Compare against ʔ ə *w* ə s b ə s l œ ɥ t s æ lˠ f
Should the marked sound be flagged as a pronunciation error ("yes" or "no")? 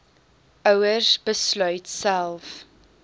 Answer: no